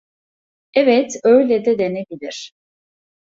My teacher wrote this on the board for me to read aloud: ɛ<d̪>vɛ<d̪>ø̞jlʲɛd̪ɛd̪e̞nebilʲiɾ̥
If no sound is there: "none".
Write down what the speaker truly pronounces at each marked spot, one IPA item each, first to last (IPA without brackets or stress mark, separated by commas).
none, t̪